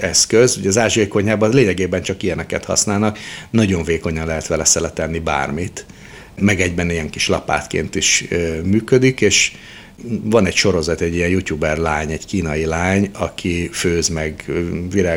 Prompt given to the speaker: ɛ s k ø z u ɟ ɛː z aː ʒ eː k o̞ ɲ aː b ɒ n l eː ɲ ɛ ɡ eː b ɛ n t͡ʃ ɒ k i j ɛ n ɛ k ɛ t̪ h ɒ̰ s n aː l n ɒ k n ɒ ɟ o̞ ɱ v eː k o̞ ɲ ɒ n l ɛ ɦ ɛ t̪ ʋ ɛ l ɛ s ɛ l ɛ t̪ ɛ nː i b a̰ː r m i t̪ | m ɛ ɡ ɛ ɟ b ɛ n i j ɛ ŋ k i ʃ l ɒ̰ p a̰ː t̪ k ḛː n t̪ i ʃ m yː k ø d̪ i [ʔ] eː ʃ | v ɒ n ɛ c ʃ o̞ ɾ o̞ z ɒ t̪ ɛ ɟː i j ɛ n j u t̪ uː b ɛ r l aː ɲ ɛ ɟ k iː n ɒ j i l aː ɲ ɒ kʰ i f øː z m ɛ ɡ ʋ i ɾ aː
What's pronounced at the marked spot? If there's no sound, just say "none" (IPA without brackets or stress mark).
k